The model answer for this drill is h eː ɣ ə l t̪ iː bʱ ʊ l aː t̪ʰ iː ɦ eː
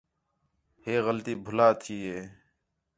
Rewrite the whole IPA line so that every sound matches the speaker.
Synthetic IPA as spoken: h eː ɣ ə l t̪ iː bʱ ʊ l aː t̪ʰ iː ɦ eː